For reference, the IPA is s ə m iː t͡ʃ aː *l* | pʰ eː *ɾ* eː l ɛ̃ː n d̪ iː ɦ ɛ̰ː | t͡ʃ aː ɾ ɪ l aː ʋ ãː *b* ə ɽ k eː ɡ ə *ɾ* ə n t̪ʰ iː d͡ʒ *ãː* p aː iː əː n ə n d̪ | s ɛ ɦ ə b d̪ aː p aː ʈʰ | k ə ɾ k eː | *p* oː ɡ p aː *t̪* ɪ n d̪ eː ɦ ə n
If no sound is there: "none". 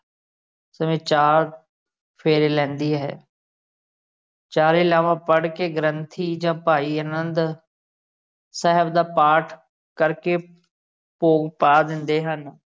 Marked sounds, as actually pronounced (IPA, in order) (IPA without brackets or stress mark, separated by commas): ɾ, ɾ, p, ɾ, ãː, p, d̪